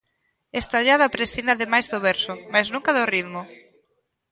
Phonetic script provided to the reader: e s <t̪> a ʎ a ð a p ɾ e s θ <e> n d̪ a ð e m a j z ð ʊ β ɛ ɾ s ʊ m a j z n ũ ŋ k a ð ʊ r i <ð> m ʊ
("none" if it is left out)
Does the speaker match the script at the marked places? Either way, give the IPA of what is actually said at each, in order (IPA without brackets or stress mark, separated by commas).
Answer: t̪, i, ð